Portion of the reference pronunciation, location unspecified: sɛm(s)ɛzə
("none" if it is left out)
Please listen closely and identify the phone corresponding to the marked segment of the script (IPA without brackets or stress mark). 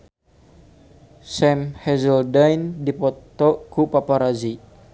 h